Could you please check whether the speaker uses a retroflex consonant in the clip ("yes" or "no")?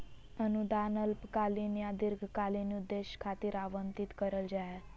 no